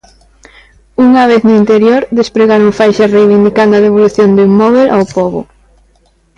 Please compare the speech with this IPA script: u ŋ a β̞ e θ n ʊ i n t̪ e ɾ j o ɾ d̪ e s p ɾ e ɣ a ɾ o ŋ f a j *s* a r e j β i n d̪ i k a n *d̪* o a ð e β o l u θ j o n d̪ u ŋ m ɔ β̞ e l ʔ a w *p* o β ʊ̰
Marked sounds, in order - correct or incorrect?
incorrect: ʃ, correct, correct

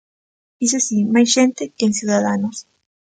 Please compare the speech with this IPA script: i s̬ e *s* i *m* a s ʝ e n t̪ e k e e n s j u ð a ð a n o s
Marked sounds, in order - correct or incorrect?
correct, correct

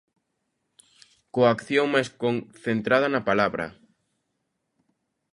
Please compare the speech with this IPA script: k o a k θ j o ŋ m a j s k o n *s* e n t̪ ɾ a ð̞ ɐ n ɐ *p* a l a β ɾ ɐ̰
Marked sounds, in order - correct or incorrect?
incorrect: θ, correct

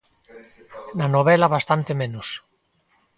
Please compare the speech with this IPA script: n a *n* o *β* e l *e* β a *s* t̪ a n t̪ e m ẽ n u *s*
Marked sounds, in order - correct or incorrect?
correct, correct, incorrect: a, correct, correct

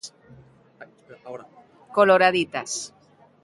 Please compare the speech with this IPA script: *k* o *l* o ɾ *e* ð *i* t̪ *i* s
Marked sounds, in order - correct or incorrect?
correct, correct, incorrect: a, correct, incorrect: a

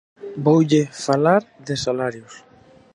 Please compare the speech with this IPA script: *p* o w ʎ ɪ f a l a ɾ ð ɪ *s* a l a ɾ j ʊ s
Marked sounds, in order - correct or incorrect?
incorrect: b, correct

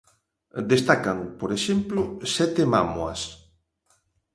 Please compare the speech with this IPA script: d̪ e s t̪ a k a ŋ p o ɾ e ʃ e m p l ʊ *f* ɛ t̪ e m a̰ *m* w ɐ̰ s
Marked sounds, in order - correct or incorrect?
incorrect: s, correct

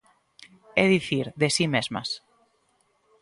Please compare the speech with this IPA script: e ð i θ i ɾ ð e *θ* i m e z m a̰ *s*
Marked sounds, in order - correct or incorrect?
incorrect: s, correct

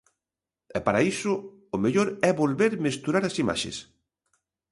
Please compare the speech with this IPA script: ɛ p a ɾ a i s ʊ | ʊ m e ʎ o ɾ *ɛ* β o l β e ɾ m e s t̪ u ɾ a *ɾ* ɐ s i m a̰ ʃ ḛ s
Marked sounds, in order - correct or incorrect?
correct, correct

